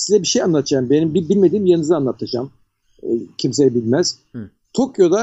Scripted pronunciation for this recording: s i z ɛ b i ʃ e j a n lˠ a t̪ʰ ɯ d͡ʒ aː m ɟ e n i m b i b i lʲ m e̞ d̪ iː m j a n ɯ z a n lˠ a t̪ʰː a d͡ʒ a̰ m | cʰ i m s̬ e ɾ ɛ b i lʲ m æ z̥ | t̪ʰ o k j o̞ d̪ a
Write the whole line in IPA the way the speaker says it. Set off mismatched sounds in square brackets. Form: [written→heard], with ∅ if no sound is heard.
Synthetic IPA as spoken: s i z ɛ b i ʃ e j a n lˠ a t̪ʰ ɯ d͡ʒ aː m [ɟ→b] e n i m b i b i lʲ m e̞ d̪ iː m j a n ɯ z a n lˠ a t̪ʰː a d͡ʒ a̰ m | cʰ i m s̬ e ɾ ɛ b i lʲ m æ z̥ | t̪ʰ o k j o̞ d̪ a